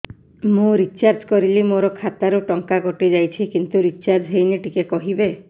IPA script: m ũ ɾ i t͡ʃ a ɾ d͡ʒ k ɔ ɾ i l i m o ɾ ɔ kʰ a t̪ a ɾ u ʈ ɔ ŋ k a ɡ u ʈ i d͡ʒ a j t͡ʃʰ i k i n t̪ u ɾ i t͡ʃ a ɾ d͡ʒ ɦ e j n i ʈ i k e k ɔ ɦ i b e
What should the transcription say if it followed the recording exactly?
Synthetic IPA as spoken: m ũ ɾ i t͡ʃ a ɾ d͡ʒ k ɔ ɾ i l i m o ɾ ɔ kʰ a t̪ a ɾ u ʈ ɔ ŋ k a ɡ ɔ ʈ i d͡ʒ a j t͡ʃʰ i k i n t̪ u ɾ i t͡ʃ a ɾ d͡ʒ ɦ e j n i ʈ i k e k ɔ ɦ i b e